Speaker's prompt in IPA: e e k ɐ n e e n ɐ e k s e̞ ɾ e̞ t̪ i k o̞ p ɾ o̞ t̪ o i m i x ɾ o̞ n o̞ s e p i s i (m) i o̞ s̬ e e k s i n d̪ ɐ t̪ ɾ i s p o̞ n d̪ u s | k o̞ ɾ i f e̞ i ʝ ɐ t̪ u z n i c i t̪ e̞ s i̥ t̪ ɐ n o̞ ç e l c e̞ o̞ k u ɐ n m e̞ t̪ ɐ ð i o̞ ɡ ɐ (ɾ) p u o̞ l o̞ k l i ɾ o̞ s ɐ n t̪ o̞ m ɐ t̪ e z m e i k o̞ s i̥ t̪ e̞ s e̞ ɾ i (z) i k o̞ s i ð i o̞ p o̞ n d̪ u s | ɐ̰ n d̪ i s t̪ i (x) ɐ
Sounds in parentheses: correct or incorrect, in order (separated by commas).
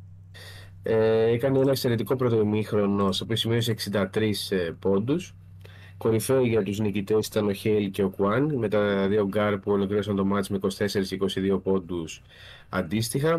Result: correct, correct, incorrect, correct